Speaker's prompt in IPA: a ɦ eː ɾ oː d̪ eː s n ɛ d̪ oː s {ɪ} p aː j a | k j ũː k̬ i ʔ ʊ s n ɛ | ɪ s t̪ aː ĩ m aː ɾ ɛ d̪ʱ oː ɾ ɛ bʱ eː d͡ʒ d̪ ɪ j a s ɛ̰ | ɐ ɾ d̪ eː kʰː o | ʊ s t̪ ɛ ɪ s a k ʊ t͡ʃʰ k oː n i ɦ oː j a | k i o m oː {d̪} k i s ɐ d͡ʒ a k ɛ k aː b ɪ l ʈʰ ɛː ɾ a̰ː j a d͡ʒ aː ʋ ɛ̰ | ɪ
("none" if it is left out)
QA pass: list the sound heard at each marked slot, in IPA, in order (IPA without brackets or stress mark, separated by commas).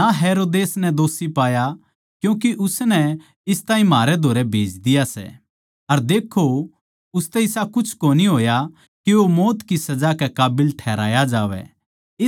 i, t̪